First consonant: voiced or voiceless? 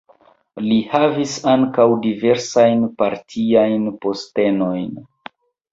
voiced